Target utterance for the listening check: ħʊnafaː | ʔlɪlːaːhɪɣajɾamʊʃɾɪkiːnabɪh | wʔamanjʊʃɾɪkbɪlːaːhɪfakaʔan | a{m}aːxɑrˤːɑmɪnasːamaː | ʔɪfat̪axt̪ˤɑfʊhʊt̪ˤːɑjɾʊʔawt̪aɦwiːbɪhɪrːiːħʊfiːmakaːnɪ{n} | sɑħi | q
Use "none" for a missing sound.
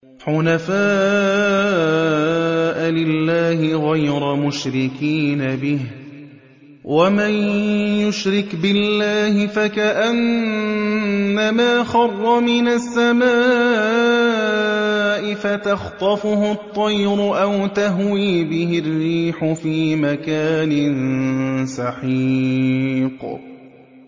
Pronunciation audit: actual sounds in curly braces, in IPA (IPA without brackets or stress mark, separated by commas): m, n